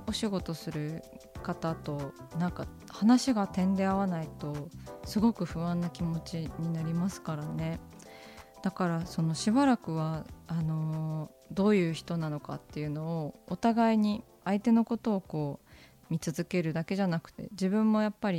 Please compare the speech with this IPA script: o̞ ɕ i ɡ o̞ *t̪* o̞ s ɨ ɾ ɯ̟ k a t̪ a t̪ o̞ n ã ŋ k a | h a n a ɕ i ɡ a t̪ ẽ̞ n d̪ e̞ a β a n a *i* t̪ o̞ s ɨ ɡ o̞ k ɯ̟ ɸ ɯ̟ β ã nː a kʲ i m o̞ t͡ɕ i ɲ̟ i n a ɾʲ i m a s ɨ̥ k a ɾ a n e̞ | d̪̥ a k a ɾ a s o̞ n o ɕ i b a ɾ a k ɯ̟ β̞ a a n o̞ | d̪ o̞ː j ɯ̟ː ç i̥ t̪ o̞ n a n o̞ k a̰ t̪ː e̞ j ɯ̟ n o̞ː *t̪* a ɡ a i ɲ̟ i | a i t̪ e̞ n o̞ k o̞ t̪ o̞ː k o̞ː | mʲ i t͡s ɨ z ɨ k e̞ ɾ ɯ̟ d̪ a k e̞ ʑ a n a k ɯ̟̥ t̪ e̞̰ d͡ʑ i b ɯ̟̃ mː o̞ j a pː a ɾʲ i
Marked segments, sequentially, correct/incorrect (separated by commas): correct, correct, correct